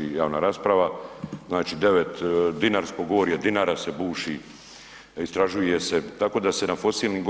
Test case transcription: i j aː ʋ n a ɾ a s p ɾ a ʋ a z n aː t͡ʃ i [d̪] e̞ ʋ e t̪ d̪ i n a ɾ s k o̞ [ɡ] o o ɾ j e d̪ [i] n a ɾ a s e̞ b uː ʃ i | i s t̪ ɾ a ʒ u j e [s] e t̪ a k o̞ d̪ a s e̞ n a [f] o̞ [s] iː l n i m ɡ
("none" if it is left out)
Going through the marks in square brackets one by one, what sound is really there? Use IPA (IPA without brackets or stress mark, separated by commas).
d̪, ɡ, i, s, f, s